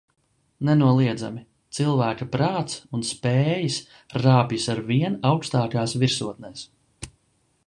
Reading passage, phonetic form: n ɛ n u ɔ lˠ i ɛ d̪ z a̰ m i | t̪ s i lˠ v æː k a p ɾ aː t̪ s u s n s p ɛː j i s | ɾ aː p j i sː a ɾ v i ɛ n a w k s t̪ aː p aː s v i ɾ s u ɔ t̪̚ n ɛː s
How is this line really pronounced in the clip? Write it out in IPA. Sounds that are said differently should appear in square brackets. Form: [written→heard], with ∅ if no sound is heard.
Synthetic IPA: n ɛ n u ɔ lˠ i ɛ d̪ z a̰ m i | t̪ s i lˠ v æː k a p ɾ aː t̪ s u [s→∅] n s p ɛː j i s | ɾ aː p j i [sː→s] a ɾ v i ɛ n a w k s t̪ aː [p→k] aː s v i ɾ s u ɔ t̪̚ n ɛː s

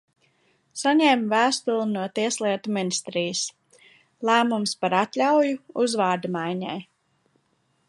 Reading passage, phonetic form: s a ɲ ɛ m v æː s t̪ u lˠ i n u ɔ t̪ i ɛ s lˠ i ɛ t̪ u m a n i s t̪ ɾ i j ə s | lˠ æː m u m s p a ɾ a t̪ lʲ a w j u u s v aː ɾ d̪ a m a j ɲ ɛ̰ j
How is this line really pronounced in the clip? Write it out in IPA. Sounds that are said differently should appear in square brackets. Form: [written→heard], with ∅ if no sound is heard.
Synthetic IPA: s a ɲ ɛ m v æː s t̪ u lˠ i n u ɔ t̪ i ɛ s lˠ i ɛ t̪ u m [a→i] n i s t̪ ɾ i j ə s | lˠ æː m u m s p a ɾ a t̪ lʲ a w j u u [s→z] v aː ɾ d̪ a m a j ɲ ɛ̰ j

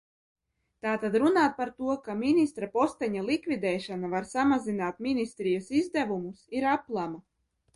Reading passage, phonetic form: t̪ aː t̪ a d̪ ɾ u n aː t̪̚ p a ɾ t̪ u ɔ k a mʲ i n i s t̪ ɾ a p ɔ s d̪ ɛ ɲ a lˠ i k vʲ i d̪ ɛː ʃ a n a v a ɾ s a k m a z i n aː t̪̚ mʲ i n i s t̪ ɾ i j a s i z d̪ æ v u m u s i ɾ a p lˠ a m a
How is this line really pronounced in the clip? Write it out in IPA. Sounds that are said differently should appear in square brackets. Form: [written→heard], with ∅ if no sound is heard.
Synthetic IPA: t̪ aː t̪ a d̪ ɾ u n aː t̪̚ p a ɾ t̪ u ɔ k a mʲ i n i s t̪ ɾ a p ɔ s [d̪→t̪] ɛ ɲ a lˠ i k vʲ i d̪ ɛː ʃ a n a v a ɾ s a [k→∅] m a z i n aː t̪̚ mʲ i n i s t̪ ɾ i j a s i z d̪ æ v u m u s i ɾ a p lˠ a m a

